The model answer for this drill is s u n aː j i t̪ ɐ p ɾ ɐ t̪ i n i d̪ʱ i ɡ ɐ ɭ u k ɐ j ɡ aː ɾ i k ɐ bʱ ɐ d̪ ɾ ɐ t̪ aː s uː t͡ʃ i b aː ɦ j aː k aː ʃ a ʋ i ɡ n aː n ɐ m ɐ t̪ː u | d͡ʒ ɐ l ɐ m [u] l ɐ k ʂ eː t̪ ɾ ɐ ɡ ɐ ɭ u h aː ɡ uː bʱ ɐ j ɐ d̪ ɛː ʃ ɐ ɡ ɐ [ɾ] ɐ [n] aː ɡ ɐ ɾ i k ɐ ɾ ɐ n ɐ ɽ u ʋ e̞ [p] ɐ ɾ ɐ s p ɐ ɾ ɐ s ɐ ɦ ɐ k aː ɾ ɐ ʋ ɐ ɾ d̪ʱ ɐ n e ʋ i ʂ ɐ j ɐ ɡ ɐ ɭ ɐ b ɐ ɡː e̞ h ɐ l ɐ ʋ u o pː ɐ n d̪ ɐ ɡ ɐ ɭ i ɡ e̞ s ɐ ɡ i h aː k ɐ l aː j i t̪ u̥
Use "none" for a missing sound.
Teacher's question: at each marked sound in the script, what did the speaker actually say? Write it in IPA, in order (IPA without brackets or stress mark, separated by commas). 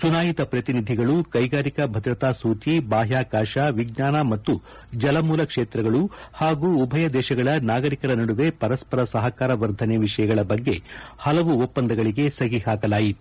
uː, ɭ, n, p